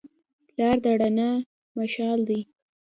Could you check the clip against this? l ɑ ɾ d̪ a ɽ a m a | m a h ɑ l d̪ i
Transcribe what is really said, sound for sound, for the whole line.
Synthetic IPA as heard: l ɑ ɾ d̪ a ɽ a n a | m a ʃ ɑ l d̪ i